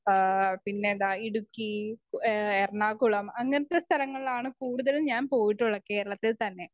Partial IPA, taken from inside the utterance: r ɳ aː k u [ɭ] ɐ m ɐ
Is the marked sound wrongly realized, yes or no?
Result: no